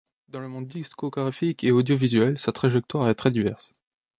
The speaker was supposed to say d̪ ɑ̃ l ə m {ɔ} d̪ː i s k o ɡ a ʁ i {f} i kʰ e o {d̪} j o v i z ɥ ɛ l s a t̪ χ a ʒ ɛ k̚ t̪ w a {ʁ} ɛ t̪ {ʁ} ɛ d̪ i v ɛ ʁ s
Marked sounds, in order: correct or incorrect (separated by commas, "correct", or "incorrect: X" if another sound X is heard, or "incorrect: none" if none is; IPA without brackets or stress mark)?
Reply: incorrect: ɔ̃, correct, correct, correct, incorrect: χ